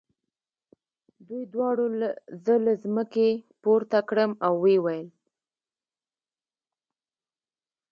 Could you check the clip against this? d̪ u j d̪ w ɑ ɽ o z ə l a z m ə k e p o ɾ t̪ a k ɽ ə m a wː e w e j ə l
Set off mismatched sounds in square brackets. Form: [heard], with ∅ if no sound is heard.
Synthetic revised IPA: d̪ u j d̪ w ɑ ɽ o z ə l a z m ə k e p o ɾ t̪ a k ɽ ə m a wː e w [a] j ə l